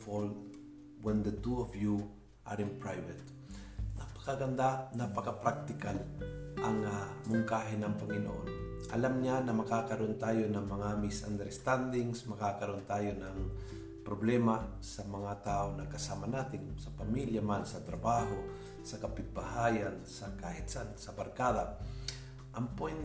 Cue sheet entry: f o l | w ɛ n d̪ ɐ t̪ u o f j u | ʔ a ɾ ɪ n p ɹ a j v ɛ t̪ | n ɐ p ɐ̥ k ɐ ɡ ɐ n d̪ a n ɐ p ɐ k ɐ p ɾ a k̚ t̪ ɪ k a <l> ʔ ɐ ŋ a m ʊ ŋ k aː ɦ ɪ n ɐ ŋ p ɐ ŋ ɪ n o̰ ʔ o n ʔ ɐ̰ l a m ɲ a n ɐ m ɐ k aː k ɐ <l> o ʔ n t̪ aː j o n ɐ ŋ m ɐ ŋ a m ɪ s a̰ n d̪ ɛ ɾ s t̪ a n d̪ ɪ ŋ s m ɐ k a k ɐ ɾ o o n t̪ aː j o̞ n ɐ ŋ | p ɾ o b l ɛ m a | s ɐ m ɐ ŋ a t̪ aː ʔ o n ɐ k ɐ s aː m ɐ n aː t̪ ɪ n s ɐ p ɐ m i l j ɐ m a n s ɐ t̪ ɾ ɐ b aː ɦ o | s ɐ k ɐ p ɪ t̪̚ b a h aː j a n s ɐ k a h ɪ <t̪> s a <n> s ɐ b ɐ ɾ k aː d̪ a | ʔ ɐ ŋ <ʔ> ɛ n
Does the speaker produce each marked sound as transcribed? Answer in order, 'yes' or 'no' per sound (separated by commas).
yes, no, yes, yes, no